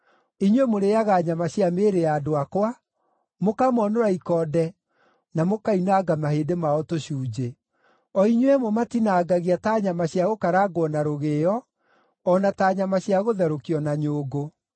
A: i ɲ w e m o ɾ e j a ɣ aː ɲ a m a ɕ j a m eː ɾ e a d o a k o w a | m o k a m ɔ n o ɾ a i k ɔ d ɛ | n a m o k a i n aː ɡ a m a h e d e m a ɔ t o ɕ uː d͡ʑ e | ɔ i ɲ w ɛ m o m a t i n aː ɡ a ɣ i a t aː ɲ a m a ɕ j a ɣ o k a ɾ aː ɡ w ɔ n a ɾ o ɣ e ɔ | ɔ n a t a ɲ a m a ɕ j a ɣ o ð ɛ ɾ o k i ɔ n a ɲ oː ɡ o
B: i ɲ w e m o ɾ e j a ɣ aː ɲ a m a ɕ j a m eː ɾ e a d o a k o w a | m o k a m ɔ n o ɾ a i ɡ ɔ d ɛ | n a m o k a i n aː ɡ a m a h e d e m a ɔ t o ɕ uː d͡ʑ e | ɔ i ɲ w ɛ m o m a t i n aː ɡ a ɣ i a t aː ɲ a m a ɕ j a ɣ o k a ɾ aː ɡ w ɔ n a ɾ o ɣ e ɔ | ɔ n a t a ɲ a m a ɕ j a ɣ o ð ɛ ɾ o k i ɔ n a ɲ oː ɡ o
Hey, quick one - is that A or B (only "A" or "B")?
A